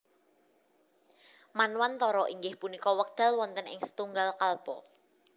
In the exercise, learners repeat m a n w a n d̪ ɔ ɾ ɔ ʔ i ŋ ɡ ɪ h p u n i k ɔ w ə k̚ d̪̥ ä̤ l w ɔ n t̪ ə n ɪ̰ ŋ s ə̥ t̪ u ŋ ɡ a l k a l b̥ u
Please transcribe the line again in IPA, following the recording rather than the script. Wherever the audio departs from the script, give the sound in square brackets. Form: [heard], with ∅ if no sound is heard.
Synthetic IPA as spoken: m a n w a n [t̪] ɔ ɾ ɔ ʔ i ŋ ɡ ɪ h p u n i k ɔ w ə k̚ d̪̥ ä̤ l w ɔ n t̪ ə n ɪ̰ ŋ s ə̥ t̪ u ŋ ɡ a l k a l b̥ [ɔ]